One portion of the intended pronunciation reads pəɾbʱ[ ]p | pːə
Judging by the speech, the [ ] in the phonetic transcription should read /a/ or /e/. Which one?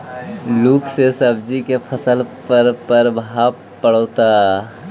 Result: a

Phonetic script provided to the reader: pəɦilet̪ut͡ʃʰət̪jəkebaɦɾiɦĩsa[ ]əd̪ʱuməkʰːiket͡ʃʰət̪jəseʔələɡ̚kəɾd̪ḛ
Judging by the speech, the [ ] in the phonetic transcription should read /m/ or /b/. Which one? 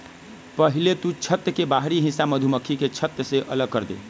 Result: m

